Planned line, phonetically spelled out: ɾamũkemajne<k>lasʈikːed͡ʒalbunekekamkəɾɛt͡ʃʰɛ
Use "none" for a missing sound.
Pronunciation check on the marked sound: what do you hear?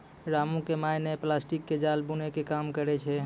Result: p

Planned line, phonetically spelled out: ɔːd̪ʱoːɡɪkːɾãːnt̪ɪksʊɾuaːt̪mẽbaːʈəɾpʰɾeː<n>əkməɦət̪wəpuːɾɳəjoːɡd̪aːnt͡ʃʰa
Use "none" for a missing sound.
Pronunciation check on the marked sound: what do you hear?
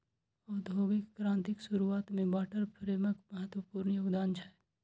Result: m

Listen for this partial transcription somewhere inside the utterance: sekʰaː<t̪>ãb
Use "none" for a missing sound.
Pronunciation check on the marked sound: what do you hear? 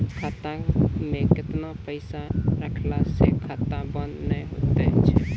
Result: t̪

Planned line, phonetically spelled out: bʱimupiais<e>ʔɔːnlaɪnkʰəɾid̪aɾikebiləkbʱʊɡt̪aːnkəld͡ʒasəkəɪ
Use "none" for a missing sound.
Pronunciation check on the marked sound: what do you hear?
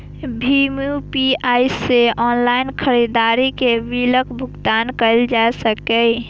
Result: e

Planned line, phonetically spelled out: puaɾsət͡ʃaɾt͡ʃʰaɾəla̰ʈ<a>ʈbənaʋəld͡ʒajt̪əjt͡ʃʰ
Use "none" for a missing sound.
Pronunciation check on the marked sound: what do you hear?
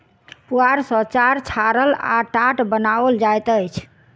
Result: a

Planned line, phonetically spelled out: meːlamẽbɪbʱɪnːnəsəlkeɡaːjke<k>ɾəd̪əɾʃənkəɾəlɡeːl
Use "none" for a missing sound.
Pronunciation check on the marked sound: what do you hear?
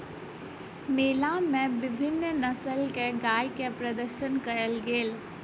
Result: p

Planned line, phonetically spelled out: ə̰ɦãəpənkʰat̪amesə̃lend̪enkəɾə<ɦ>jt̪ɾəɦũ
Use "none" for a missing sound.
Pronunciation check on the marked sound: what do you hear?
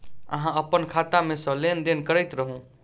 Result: none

